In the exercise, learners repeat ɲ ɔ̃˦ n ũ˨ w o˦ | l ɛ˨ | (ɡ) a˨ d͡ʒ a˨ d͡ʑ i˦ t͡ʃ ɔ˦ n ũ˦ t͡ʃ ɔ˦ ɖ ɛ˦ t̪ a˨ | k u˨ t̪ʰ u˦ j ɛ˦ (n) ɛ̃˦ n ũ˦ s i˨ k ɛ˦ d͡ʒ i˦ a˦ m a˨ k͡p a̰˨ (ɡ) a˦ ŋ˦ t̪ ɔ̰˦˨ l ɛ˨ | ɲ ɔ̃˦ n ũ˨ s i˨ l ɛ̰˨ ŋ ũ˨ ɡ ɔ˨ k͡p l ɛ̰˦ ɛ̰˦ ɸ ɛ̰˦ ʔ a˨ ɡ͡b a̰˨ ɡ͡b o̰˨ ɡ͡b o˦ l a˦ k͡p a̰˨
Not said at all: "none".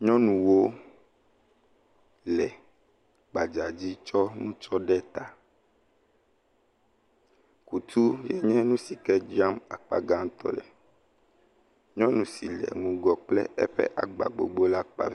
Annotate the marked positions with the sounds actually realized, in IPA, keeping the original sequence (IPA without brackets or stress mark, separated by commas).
ɡ͡b, ɲ, ɡ